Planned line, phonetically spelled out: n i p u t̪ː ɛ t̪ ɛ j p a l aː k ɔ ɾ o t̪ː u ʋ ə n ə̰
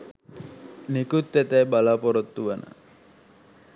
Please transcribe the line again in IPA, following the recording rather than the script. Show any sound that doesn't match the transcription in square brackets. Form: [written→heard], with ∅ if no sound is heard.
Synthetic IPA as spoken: n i [p→k] u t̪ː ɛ t̪ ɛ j [p→b] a l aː [k→p] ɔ ɾ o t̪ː u ʋ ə n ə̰